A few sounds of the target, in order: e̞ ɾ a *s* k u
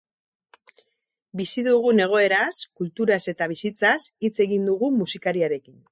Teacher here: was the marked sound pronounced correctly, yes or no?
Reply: yes